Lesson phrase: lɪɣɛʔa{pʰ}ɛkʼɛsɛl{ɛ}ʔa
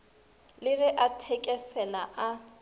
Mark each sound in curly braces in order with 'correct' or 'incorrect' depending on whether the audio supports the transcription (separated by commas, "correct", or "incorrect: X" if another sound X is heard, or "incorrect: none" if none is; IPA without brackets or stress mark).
incorrect: tʰ, incorrect: a